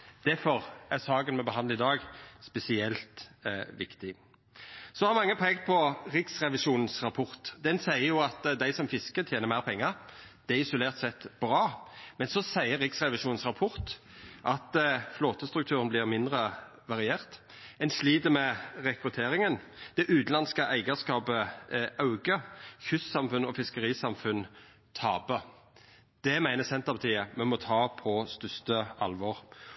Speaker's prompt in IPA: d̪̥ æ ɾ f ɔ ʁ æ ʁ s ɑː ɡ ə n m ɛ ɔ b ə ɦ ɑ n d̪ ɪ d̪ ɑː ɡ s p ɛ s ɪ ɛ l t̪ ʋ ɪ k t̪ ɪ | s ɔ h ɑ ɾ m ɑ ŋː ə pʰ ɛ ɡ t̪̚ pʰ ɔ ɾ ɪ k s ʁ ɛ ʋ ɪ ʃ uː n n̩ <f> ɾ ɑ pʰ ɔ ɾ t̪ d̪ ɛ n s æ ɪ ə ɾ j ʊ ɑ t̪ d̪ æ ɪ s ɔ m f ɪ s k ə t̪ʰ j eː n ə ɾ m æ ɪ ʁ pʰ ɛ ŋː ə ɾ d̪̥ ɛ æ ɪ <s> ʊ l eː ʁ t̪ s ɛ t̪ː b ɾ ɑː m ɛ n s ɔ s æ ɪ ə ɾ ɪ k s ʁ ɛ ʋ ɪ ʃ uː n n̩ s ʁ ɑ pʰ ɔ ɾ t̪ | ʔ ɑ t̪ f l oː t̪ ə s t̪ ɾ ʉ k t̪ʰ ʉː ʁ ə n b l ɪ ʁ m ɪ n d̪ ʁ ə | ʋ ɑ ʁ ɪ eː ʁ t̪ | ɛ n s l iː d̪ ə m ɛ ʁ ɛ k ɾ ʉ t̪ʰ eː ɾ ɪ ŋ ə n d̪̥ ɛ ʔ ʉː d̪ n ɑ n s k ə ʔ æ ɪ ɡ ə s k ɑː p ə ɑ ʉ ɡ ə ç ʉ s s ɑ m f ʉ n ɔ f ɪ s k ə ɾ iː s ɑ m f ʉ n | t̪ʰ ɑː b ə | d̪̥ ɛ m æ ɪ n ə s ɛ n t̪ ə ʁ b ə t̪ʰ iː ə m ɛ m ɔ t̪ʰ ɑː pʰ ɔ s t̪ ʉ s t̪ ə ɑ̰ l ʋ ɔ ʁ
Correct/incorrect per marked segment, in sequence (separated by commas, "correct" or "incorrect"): incorrect, correct